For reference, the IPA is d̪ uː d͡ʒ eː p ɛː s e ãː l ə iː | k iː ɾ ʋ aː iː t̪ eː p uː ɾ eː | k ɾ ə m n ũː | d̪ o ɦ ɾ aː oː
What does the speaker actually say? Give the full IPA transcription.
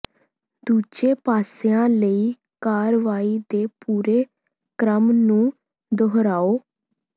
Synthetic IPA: d̪ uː d͡ʒ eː p aː s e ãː l ə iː | k aː ɾ ʋ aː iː d̪ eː p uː ɾ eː | k ɾ ə m n ũː | d̪ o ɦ ɾ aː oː